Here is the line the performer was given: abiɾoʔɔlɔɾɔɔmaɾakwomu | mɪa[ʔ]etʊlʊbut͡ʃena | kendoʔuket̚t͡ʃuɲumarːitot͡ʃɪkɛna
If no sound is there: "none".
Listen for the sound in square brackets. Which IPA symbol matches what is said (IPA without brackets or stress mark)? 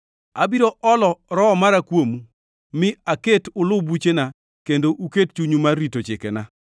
k